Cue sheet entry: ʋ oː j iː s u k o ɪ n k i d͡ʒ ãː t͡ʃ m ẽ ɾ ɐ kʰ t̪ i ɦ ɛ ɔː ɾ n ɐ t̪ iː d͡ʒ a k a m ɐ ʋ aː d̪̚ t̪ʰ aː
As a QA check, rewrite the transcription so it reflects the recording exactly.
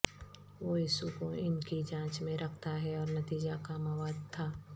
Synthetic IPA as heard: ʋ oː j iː s u k o ɪ n k i d͡ʒ ãː t͡ʃ m ẽ ɾ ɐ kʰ t̪ a ɦ ɛ ɔː ɾ n ɐ t̪ iː d͡ʒ a k a m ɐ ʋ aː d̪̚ t̪ʰ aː